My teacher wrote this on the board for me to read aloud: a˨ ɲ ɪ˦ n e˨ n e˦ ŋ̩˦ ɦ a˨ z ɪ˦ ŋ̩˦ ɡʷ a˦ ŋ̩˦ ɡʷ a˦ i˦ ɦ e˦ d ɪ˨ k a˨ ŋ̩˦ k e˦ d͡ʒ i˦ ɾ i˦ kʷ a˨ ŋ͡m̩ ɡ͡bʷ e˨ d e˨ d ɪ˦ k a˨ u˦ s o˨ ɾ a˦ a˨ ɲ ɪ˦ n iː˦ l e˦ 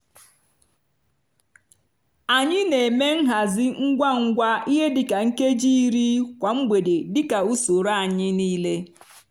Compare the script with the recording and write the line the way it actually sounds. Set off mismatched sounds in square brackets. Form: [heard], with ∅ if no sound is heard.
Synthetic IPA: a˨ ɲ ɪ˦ n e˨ [m] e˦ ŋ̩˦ ɦ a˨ z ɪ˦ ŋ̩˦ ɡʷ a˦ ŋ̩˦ ɡʷ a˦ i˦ ɦ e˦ d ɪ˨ k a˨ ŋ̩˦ k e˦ d͡ʒ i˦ ɾ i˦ kʷ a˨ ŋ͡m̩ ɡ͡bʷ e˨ d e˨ d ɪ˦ k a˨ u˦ s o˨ ɾ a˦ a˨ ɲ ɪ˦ n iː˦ l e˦